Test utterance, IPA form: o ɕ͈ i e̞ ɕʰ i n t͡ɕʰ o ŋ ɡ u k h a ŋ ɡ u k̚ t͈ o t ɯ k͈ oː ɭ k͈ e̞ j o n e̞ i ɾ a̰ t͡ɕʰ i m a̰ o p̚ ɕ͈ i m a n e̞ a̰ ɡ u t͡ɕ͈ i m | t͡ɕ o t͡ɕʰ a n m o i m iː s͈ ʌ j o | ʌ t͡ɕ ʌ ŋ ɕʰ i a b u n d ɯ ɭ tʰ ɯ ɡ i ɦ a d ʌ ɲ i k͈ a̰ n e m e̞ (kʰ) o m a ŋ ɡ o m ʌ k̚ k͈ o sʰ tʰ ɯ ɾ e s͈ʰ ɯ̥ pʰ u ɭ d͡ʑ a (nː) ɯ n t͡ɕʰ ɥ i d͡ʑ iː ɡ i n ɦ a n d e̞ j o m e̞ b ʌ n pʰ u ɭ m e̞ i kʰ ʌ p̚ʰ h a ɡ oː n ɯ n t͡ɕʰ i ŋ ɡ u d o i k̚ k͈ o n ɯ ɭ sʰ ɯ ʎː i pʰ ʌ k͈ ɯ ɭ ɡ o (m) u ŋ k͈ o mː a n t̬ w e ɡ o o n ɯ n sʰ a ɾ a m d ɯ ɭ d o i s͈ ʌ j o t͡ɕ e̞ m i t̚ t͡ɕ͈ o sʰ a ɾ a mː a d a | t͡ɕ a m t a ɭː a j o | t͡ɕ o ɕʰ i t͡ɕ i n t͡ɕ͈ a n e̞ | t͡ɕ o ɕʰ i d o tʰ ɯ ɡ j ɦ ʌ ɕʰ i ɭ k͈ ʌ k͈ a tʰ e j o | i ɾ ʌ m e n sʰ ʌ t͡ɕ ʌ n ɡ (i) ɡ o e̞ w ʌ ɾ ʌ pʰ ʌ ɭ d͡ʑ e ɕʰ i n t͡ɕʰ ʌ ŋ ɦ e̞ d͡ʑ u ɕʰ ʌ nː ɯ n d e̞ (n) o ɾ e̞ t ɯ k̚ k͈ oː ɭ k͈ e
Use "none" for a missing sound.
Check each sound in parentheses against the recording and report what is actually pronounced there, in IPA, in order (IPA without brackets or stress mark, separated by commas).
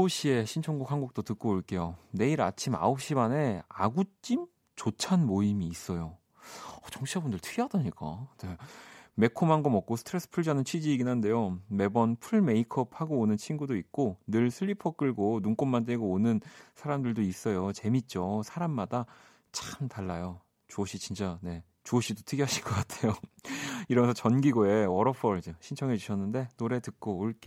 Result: kʰ, n, n, i, n